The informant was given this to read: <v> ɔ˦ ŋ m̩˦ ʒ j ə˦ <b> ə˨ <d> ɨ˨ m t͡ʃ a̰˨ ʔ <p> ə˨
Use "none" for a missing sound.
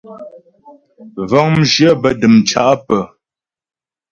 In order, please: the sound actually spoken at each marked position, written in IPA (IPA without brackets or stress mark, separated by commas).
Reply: v, b, d, p